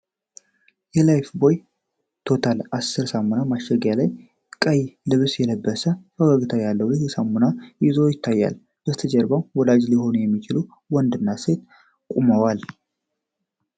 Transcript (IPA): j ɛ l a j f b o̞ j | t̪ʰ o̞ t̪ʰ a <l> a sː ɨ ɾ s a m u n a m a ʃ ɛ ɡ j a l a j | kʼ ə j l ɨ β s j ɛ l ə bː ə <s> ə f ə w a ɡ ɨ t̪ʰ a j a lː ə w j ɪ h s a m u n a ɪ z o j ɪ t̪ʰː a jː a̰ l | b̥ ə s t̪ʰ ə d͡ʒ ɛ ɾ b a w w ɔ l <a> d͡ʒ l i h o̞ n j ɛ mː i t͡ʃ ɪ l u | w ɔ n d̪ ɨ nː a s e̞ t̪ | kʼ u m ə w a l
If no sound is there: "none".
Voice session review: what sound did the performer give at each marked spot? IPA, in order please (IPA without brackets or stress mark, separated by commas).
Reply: l, s, a